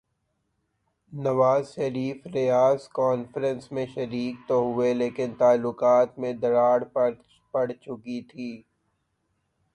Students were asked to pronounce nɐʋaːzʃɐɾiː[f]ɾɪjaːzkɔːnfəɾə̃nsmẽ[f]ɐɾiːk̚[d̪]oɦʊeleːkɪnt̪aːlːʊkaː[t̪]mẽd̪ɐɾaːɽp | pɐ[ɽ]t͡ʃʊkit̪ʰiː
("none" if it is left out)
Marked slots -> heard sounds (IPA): f, ʃ, t̪, t̪, ɽ

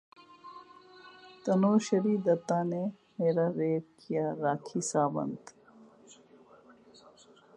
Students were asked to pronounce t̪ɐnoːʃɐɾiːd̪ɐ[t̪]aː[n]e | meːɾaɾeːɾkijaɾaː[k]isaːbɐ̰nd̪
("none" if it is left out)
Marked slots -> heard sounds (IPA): t̪, n, kʰ

